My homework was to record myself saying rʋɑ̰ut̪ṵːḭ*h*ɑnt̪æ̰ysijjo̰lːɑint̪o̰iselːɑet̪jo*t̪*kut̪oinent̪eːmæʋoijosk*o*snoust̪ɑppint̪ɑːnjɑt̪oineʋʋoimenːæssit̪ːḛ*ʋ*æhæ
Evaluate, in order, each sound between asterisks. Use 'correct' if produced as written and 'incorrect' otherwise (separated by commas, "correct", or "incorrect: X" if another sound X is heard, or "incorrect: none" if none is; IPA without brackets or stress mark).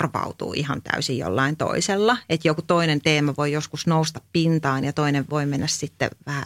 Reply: correct, incorrect: none, incorrect: u, correct